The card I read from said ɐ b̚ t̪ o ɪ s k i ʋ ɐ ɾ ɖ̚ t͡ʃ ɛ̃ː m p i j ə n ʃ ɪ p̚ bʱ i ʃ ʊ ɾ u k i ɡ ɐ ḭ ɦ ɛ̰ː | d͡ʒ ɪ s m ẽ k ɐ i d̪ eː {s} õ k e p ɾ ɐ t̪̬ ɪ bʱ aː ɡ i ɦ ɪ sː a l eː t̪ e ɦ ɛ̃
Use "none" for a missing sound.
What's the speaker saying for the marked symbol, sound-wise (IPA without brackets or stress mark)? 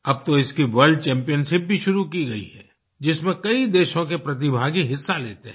ʃ